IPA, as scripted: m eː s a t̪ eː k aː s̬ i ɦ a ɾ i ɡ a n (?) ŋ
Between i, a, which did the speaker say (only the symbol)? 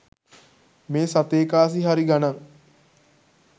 a